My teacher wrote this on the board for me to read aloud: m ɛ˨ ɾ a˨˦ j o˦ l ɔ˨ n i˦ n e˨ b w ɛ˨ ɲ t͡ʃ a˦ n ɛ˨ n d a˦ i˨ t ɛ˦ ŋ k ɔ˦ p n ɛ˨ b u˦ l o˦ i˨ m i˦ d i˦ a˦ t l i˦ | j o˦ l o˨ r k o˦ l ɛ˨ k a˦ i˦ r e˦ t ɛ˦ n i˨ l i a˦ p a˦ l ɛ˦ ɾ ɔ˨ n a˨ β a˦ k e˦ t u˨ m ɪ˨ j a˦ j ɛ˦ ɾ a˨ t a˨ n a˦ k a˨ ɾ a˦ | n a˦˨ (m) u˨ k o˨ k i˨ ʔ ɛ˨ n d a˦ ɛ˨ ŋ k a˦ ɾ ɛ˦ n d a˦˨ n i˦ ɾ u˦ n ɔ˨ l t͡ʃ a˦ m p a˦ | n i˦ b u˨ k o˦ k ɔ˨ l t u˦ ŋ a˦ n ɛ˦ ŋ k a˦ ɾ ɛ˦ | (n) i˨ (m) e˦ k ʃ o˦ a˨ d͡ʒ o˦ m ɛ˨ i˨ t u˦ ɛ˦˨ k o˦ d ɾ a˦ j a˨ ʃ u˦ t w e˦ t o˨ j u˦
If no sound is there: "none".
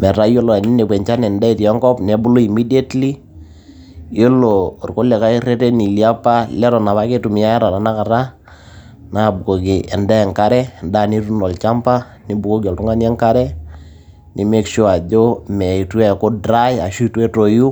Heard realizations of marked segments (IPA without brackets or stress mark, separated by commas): b, n, m